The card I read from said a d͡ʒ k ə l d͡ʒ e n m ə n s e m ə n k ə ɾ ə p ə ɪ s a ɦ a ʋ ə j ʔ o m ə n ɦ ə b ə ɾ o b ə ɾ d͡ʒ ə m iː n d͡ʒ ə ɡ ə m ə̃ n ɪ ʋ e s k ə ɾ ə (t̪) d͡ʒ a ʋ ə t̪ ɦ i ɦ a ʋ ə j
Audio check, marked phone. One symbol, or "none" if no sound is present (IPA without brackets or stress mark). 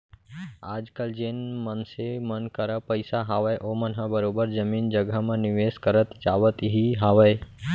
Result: t̪